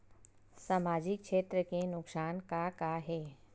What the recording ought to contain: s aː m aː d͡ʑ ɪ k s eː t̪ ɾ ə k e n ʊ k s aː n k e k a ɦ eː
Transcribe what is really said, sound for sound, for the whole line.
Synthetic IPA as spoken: s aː m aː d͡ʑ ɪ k ʃ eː t̪ ɾ ə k e n ʊ k s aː n k a k a ɦ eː